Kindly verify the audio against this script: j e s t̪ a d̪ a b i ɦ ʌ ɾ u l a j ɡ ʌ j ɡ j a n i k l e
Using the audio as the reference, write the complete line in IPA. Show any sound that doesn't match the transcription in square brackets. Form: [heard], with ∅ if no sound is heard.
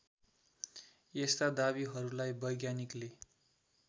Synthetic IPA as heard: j e s t̪ a d̪ a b i ɦ ʌ ɾ u l a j [b] ʌ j ɡ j a n i k l e